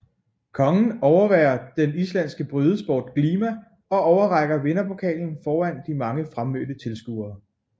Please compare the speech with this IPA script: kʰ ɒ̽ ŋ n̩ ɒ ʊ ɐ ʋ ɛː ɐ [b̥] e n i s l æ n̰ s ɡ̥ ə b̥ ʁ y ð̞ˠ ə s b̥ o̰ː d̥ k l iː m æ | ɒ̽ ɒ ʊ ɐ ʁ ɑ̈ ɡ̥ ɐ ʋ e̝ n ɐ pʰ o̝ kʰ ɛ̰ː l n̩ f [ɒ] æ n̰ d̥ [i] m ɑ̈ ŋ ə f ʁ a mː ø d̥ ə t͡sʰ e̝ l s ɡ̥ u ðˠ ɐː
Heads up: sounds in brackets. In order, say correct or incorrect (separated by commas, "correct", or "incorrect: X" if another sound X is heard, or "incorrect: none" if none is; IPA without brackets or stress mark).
incorrect: d̥, incorrect: ɒː, correct